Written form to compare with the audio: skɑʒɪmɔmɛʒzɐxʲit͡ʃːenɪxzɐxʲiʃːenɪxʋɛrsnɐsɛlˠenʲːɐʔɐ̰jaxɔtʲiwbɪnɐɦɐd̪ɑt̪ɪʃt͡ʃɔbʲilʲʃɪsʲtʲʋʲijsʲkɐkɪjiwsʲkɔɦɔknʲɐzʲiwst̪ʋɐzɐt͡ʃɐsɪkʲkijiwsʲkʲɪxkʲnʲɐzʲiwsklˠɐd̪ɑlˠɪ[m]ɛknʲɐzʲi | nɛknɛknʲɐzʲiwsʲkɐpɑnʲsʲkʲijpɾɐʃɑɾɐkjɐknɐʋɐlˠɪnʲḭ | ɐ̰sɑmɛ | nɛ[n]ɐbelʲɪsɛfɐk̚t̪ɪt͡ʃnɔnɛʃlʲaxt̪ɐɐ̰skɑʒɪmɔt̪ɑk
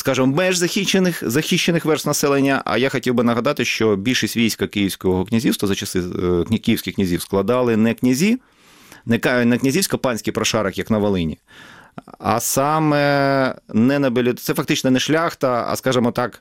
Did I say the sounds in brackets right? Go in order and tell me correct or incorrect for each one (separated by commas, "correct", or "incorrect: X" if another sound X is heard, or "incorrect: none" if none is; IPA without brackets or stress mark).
incorrect: n, correct